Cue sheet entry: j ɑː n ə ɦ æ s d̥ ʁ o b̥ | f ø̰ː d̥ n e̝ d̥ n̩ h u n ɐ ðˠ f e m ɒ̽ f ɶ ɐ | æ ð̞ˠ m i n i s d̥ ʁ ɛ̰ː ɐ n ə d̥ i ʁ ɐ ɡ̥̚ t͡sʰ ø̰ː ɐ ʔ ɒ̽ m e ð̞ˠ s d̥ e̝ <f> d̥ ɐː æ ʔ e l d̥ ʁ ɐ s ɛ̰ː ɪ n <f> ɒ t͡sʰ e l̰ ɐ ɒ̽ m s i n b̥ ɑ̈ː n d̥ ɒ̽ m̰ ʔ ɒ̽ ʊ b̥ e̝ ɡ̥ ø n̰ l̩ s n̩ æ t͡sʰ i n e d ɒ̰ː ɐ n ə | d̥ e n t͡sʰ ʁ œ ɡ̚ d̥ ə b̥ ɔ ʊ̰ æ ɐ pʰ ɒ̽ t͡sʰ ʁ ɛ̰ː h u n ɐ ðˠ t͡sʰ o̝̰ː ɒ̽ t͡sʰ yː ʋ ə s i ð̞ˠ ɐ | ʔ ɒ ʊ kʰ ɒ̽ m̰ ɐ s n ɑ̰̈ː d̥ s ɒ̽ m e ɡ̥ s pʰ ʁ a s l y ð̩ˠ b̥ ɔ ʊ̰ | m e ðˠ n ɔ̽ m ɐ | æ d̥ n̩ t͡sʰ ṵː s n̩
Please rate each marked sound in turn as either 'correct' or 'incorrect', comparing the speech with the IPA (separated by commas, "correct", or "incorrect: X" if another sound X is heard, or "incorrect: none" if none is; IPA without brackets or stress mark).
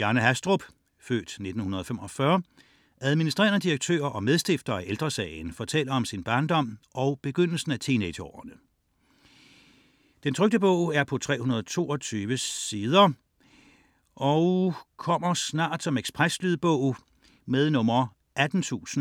correct, correct